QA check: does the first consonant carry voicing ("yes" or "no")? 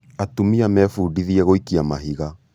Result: no